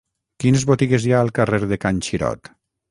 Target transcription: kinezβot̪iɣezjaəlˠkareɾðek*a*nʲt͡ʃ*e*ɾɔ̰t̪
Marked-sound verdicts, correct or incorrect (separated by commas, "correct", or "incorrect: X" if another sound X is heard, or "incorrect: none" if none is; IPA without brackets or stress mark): correct, incorrect: i